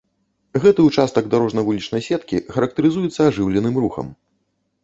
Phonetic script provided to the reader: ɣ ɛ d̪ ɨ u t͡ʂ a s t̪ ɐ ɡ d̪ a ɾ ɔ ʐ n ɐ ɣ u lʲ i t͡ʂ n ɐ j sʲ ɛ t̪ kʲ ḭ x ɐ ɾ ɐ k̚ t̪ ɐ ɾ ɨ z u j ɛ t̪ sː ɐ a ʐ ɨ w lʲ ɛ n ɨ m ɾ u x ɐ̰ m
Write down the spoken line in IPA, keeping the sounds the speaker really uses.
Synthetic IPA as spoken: ɣ ɛ t̪ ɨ u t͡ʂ a s t̪ ɐ ɡ d̪ a ɾ ɔ ʐ n ɐ v u lʲ i t͡ʂ n ɐ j sʲ ɛ t̪ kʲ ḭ x ɐ ɾ ɐ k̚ t̪ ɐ ɾ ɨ z u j ɛ t̪ sː ɐ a ʐ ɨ w lʲ ɛ n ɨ m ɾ u x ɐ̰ m